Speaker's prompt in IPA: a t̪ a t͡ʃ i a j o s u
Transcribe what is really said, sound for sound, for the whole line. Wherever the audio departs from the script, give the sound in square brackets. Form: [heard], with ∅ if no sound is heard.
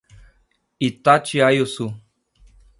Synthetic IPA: [i] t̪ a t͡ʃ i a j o s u